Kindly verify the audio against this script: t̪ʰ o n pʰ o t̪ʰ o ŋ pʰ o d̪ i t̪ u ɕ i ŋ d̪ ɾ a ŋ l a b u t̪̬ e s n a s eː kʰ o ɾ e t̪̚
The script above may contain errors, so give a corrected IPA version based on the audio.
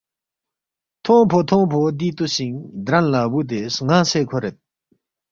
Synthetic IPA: t̪ʰ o ŋ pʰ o t̪ʰ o ŋ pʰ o d̪ i t̪ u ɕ i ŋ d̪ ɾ a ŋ l a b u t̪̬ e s ŋ a s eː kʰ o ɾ e t̪̚

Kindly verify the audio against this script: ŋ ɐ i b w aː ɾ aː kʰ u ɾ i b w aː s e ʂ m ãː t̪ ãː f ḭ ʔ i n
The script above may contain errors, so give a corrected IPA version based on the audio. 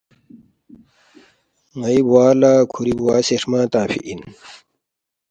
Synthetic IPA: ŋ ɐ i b w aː l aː kʰ u ɾ i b w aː s e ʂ m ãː t̪ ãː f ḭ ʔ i n

